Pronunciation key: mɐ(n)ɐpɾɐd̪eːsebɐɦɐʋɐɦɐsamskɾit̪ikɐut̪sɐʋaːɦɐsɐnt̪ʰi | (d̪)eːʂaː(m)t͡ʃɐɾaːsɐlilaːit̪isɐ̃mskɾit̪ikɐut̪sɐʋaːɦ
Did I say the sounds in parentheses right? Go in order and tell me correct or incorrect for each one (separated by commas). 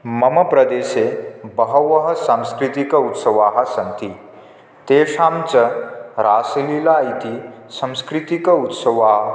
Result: incorrect, incorrect, correct